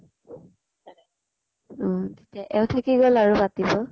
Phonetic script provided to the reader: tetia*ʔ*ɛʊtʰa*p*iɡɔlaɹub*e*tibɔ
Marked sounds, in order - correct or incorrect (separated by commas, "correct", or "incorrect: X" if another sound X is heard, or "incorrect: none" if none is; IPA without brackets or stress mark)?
correct, incorrect: k, incorrect: a